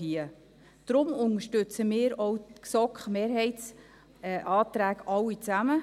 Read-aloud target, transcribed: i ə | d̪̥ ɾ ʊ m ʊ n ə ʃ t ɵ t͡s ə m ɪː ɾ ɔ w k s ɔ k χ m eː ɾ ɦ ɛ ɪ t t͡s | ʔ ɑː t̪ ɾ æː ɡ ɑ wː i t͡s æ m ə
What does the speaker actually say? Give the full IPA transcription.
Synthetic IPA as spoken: i ə | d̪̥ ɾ ʊ m ʊ n ə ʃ t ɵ t͡s ə m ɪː ɾ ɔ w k s ɔ k χ m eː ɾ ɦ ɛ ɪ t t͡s | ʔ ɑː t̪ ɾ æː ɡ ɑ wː i t͡s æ m ə